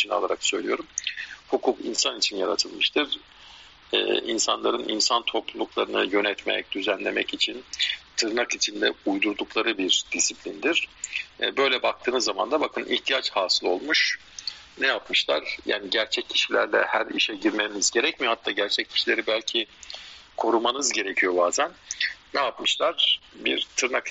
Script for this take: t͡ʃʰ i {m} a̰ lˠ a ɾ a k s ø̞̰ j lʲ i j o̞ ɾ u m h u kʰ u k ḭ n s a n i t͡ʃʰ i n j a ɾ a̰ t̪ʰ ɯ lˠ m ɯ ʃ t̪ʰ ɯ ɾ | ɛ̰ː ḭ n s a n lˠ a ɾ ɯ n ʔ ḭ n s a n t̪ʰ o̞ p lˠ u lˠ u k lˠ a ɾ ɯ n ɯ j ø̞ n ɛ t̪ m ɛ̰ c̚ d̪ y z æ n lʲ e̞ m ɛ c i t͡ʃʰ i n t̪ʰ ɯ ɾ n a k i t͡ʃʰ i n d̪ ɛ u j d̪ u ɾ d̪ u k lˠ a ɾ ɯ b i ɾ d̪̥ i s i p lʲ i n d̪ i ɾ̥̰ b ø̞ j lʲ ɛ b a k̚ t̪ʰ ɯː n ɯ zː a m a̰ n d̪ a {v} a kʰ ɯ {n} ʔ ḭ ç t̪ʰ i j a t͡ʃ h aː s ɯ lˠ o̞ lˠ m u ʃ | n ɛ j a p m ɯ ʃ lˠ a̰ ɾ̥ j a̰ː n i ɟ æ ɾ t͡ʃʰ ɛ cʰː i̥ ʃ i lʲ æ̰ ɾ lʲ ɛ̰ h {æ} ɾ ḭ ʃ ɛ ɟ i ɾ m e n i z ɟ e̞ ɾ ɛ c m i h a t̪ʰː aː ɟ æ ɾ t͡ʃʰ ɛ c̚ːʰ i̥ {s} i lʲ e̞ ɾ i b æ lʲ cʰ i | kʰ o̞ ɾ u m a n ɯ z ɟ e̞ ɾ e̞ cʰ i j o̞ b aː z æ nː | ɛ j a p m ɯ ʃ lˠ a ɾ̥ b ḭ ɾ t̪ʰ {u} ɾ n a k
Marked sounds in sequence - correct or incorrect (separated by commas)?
incorrect, incorrect, correct, correct, incorrect, incorrect